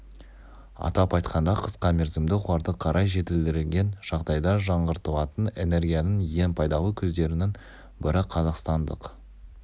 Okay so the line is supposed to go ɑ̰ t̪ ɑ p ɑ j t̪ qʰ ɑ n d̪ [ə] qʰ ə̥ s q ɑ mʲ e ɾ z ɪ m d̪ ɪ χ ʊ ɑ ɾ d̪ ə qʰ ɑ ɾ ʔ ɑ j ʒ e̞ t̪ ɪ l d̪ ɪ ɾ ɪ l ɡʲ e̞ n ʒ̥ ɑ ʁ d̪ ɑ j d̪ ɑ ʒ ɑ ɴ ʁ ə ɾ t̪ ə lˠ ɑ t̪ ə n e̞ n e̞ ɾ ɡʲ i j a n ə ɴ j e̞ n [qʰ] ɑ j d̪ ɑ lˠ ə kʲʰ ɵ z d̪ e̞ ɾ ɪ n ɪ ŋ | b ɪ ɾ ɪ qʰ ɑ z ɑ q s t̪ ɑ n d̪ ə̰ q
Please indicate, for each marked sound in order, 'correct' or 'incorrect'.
incorrect: ɑ, incorrect: pʰ

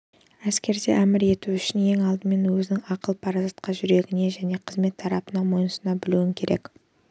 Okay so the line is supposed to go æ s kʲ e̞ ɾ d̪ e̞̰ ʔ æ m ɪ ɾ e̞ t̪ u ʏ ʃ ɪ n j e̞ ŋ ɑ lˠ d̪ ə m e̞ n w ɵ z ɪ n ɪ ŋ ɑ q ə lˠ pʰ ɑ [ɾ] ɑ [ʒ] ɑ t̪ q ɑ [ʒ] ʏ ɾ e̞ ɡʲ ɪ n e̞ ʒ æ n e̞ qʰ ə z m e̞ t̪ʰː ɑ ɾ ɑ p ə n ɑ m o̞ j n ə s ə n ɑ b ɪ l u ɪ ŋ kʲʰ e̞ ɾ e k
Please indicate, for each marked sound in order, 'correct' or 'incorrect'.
correct, incorrect: z, correct

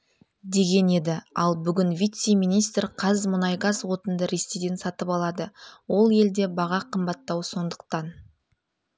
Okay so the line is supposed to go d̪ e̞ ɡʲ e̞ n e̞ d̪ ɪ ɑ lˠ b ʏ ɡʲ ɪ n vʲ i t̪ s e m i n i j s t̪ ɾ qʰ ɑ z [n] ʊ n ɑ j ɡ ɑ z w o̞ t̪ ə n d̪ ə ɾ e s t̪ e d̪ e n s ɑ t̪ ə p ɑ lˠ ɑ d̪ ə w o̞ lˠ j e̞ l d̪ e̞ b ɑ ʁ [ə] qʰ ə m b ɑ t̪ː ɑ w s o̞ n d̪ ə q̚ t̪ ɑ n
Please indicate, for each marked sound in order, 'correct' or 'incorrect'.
incorrect: m, incorrect: ɑ

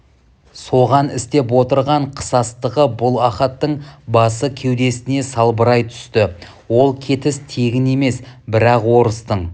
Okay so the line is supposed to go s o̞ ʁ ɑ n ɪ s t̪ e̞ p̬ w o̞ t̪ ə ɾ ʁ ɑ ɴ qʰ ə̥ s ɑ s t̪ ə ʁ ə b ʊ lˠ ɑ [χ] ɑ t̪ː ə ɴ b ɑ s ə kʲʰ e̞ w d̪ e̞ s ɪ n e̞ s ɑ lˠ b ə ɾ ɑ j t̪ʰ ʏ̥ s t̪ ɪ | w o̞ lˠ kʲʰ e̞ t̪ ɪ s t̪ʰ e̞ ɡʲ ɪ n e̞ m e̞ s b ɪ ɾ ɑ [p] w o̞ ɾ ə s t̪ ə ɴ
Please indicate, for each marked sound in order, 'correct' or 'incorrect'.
correct, incorrect: q

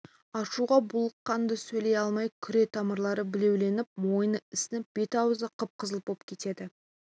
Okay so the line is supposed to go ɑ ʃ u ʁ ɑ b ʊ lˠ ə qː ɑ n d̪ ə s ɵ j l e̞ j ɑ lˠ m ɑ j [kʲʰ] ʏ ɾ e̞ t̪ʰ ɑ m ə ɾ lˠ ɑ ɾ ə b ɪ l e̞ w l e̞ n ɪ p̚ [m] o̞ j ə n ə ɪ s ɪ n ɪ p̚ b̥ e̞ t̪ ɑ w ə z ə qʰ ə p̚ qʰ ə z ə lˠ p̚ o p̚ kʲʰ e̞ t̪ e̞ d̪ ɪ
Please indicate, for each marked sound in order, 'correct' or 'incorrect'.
correct, correct

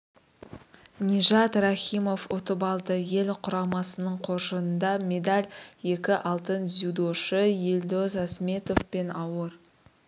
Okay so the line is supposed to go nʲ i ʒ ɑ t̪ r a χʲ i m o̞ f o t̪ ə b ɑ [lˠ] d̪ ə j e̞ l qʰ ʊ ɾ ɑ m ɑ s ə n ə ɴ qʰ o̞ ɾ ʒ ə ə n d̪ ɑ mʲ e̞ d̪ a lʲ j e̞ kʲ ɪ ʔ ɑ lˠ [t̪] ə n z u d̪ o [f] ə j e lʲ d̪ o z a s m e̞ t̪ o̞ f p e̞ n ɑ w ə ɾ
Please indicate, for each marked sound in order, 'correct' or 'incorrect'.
correct, correct, incorrect: ʃ

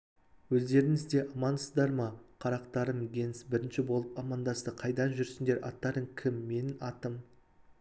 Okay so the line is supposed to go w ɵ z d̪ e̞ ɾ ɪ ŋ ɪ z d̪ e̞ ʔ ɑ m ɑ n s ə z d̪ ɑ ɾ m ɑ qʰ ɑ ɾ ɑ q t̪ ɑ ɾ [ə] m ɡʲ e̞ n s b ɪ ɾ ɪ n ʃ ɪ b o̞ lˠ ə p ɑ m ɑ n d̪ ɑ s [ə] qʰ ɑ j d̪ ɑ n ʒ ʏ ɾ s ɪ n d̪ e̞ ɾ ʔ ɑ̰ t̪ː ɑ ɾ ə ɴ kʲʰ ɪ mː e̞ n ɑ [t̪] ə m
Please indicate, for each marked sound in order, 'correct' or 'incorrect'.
correct, correct, correct

